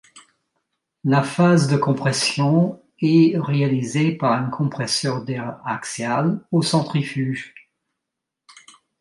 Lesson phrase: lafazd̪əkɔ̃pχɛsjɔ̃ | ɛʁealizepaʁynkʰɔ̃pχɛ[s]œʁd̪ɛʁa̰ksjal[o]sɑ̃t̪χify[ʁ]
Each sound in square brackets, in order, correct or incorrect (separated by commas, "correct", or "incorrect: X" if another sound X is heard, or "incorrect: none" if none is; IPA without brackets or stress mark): correct, correct, incorrect: ʒ